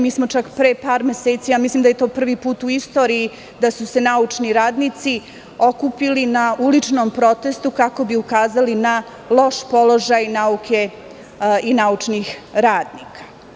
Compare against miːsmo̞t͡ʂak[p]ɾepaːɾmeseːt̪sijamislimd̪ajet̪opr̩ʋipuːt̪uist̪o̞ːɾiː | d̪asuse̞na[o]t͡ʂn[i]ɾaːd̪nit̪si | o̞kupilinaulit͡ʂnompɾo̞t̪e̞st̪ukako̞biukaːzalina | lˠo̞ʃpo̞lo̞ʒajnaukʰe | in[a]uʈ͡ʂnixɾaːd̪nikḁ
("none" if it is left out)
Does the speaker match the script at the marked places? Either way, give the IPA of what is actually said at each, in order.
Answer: p, u, i, a

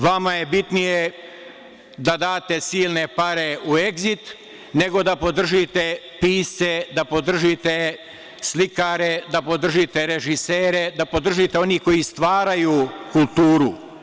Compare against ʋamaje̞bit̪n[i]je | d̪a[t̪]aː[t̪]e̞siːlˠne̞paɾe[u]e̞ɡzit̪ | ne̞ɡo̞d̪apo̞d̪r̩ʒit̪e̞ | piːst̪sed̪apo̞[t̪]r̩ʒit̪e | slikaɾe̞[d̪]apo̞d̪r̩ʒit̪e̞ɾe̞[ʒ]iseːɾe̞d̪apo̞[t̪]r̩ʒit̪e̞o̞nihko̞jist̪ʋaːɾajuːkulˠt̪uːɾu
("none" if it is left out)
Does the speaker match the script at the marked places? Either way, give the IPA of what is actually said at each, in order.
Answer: i, d̪, t̪, u, d̪, d̪, ʒ, d̪

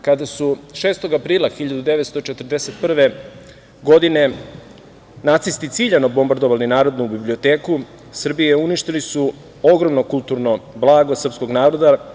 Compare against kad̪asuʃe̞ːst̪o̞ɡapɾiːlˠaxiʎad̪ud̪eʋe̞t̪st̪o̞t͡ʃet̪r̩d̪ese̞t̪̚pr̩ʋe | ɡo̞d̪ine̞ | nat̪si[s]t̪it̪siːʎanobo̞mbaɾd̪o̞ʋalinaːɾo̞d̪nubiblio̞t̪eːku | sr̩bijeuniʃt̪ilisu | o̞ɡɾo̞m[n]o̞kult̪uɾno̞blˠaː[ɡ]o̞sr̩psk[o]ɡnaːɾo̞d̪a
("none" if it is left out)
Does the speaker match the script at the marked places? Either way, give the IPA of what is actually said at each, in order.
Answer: s, n, ɡ, o

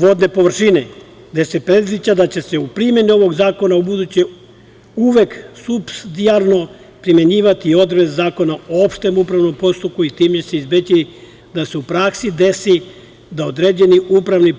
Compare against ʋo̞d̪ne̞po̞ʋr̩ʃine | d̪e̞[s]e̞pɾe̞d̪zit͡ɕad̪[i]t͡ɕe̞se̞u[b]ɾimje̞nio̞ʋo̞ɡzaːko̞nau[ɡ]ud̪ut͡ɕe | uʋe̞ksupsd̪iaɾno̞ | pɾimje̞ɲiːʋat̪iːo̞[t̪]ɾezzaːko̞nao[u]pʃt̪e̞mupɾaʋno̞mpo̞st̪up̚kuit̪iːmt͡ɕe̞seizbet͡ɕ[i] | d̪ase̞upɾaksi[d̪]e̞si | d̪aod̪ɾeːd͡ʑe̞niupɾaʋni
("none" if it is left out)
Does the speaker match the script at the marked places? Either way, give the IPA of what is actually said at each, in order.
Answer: s, a, p, b, d̪, o, i, d̪

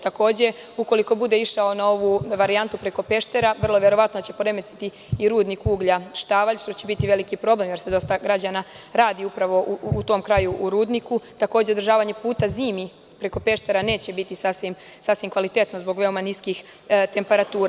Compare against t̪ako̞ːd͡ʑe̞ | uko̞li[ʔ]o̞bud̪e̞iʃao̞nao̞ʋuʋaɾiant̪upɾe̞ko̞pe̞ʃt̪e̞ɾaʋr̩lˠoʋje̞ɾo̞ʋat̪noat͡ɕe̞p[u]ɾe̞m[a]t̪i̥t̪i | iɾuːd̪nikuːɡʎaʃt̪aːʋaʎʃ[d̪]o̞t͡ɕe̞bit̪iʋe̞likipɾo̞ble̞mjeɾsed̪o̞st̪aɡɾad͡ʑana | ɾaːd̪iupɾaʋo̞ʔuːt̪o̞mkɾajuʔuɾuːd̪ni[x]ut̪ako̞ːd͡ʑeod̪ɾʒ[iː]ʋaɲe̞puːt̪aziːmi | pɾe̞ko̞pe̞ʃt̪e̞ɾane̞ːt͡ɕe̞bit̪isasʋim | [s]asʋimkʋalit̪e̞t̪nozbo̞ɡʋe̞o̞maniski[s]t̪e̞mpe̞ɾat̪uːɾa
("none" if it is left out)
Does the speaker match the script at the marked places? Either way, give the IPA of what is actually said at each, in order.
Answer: k, o, e, t̪, k, aː, s, x

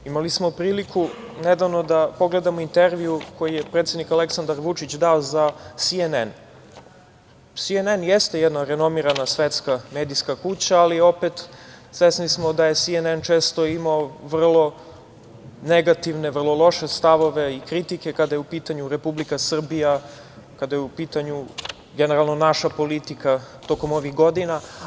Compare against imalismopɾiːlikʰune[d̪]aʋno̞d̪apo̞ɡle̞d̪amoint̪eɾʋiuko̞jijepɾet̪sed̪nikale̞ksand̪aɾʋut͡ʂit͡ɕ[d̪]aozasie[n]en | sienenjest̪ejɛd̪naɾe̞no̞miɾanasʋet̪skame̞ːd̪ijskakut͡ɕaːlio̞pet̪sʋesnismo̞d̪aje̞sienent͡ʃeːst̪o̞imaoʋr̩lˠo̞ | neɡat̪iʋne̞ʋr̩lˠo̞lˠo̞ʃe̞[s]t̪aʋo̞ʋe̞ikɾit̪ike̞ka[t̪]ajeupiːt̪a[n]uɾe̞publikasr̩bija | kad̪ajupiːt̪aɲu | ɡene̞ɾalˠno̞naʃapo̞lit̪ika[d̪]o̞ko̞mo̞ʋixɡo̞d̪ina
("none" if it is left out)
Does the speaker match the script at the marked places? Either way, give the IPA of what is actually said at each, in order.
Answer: d̪, d̪, n, s, d̪, ɲ, t̪

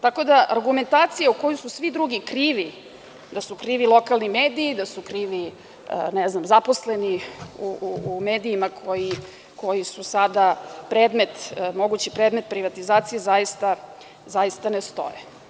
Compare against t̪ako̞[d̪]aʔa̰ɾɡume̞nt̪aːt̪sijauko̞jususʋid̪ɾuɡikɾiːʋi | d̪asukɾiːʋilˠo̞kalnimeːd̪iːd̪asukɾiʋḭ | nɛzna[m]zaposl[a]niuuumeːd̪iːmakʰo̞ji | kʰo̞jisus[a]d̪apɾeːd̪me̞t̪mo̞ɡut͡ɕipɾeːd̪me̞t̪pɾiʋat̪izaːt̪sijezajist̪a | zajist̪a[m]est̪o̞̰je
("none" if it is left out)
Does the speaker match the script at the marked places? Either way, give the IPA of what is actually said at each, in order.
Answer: d̪, m, e, a, n

